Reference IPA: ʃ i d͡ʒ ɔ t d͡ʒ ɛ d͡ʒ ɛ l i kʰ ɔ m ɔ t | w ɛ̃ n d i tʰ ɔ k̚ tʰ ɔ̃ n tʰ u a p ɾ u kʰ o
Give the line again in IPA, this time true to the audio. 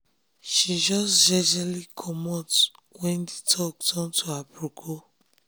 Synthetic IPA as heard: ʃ i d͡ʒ ɔ s d͡ʒ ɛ d͡ʒ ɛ l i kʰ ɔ m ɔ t | w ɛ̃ n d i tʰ ɔ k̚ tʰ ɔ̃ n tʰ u a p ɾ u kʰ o